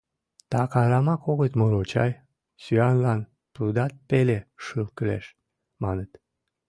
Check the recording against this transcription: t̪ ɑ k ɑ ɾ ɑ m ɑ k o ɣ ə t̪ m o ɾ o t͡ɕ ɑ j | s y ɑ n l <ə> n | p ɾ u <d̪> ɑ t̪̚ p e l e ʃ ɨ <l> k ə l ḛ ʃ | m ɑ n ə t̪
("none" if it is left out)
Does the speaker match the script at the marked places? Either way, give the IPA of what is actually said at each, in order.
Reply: ɑ, d̪, l

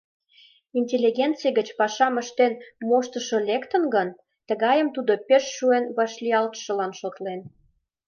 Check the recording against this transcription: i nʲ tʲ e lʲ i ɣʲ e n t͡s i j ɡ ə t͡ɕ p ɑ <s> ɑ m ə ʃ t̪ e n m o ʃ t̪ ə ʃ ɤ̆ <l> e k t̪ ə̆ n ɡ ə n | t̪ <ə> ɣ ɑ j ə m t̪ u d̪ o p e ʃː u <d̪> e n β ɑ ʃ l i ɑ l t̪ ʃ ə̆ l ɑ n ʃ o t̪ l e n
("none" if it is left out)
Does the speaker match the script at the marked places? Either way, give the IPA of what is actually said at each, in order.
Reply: ʃ, l, ə, none

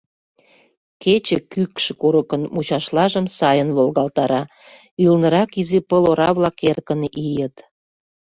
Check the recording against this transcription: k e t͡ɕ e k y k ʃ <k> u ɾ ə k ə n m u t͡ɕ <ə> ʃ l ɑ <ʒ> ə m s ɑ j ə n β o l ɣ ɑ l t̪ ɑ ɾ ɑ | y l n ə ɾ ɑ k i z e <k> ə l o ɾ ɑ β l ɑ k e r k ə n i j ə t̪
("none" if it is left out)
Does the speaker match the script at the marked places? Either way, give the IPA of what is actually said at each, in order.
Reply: k, ɑ, ʒ, p

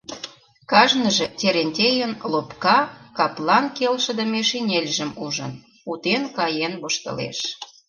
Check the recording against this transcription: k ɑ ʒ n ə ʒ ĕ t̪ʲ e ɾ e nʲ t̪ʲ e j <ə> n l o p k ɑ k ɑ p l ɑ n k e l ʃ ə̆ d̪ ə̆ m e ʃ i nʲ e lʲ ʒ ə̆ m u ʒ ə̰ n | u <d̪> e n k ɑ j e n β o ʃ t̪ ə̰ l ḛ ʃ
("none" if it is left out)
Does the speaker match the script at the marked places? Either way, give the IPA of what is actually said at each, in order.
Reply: ə, t̪

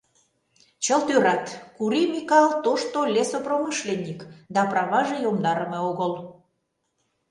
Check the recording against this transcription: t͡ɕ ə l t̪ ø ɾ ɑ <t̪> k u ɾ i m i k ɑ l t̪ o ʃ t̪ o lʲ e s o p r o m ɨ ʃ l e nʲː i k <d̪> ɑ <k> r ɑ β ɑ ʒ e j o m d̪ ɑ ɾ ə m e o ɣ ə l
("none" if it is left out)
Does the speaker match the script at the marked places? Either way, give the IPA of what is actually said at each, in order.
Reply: t̪, d̪, p

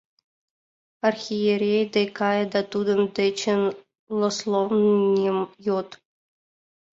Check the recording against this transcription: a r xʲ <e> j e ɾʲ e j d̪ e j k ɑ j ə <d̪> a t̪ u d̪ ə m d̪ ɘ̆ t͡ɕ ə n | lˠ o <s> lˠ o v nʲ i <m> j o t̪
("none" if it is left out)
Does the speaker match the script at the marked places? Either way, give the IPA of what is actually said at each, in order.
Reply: i, d̪, s, m

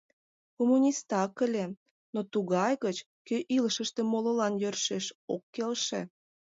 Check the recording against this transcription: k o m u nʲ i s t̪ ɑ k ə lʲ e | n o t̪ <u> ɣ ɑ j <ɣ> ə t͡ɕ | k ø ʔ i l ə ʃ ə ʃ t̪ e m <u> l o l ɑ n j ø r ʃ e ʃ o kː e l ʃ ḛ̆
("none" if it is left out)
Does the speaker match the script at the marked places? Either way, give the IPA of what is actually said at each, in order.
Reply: u, ɣ, o

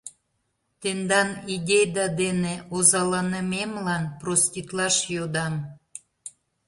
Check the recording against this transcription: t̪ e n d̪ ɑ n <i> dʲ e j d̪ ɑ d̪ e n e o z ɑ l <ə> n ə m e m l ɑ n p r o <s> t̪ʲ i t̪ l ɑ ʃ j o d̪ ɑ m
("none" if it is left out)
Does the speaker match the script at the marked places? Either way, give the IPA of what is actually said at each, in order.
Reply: i, ɑ, s

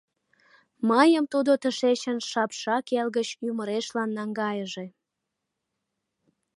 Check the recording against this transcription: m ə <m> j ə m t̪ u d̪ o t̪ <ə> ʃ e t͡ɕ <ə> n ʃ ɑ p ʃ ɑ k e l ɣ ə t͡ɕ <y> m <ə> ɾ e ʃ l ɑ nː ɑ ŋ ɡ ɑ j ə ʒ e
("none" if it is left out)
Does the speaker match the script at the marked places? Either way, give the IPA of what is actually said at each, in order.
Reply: none, ə, ə, y, ə

